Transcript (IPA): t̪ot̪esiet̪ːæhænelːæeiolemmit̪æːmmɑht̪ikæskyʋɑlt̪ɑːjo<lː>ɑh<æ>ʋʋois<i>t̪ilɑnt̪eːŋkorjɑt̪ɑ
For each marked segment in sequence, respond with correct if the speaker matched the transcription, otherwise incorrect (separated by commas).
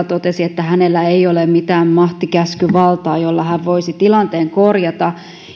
correct, correct, correct